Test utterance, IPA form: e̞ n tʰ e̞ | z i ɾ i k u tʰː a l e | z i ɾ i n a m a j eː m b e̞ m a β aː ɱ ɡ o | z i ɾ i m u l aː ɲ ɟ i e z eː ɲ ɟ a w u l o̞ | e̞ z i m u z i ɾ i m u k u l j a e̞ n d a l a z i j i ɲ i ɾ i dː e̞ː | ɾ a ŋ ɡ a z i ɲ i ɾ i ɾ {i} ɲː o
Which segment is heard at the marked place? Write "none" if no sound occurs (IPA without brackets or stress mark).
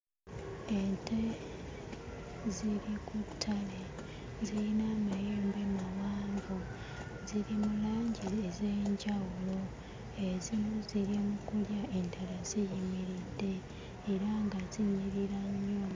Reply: a